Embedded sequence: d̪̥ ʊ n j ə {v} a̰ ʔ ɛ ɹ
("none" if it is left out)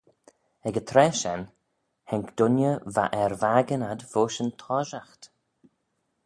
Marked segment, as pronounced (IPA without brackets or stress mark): v